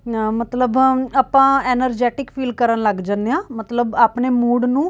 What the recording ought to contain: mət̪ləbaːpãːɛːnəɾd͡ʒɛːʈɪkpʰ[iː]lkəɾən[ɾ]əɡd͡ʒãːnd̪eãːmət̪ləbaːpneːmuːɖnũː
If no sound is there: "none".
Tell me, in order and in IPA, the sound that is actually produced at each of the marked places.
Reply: iː, l

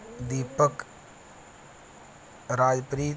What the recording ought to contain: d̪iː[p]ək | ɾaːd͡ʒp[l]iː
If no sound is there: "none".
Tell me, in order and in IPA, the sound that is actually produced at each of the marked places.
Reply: p, ɾ

